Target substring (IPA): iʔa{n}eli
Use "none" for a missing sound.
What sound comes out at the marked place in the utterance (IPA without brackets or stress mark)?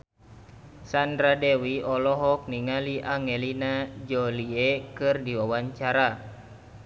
ŋ